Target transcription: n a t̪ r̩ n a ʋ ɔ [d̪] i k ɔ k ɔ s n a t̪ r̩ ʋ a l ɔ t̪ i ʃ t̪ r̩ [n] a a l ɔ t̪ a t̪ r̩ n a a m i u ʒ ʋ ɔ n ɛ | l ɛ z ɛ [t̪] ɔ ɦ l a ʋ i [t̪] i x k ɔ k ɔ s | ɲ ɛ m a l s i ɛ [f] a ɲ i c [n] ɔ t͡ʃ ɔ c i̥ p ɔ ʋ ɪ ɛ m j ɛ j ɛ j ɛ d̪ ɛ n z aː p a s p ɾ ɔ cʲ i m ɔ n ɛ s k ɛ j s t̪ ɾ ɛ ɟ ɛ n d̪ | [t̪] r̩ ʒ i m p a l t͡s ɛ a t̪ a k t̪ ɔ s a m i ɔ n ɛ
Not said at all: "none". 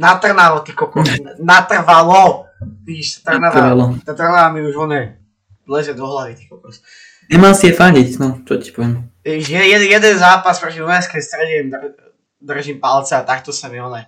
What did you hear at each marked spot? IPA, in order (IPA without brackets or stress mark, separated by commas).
t̪, n, d̪, t̪, f, n, d̪